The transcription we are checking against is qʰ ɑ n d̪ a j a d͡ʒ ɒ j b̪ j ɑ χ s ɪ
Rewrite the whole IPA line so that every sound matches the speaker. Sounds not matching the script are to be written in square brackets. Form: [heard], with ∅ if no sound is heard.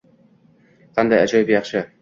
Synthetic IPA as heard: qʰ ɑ n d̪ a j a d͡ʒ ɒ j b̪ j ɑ χ [ʃ] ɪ